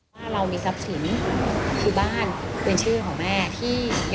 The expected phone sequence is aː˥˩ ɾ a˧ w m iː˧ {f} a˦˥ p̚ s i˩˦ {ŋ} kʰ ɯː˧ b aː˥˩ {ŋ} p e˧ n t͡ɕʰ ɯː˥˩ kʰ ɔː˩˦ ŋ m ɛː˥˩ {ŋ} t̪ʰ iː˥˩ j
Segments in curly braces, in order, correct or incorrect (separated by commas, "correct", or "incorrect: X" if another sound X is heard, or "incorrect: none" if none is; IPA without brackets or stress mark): incorrect: s, incorrect: n, incorrect: n, incorrect: none